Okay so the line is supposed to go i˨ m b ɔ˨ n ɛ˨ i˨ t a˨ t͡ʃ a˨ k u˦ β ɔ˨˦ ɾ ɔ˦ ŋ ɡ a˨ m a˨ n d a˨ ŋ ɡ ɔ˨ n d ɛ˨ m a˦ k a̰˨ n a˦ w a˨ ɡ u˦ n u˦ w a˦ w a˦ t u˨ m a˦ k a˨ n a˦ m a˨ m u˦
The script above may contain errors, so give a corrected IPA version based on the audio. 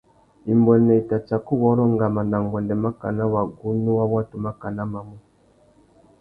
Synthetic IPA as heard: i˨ m b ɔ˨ n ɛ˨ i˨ t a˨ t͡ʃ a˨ k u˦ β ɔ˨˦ ɾ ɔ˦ ŋ ɡ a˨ m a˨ n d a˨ ŋ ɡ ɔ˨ n d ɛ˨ m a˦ k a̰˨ n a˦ w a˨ ɡ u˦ n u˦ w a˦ w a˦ t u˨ m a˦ k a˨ n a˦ m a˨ m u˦